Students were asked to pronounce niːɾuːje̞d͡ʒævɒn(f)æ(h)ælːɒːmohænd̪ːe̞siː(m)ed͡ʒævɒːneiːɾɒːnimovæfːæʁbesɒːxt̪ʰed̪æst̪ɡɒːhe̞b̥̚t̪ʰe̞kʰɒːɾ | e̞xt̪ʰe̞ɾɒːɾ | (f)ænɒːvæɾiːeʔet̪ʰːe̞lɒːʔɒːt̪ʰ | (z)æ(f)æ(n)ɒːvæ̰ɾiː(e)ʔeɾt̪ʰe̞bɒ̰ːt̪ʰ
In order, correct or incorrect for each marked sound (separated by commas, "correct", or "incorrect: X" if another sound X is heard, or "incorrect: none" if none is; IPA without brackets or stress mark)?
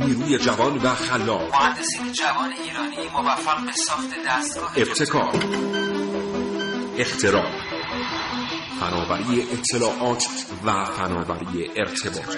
incorrect: v, incorrect: x, incorrect: n, correct, incorrect: v, correct, correct, correct